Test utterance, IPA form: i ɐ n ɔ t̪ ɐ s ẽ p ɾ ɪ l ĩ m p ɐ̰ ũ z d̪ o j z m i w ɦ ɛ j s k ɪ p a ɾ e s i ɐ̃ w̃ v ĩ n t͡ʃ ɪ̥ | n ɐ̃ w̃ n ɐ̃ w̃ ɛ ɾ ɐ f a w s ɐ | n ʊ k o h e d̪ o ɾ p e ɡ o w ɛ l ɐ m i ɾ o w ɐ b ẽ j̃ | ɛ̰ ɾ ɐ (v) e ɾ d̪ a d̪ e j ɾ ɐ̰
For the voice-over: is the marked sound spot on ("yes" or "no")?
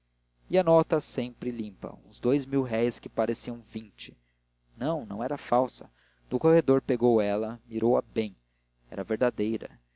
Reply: yes